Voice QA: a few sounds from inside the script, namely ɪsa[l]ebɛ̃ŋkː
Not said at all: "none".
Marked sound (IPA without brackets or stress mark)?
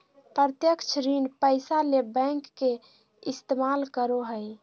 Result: l